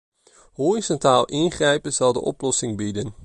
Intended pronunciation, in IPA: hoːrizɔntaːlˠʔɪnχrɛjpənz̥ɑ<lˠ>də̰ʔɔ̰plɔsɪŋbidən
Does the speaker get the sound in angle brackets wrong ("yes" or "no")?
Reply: no